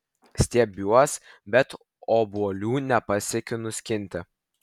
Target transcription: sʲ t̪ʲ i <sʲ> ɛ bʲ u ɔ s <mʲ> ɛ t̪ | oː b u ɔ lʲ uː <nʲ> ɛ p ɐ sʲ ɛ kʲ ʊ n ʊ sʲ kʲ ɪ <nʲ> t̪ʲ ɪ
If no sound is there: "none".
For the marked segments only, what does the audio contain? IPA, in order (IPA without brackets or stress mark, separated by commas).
none, bʲ, nʲ, nʲ